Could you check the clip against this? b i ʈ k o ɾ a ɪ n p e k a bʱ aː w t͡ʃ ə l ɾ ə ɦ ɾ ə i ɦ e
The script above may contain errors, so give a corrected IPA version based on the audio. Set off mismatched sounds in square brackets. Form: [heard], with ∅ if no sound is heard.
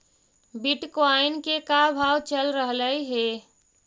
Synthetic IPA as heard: b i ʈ k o [∅] a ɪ n [k] e k a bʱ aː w t͡ʃ ə l ɾ ə ɦ [l] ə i ɦ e